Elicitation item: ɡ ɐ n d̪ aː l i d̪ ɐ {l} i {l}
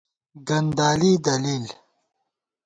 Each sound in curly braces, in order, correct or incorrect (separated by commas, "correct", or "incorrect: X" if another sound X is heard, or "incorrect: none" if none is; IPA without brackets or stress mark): correct, correct